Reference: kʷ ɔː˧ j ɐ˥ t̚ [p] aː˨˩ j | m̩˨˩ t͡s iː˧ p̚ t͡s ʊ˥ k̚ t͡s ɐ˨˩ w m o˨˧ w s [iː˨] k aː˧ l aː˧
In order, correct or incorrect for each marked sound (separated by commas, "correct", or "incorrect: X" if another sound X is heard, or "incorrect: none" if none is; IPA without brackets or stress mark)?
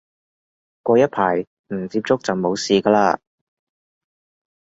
incorrect: pʰ, correct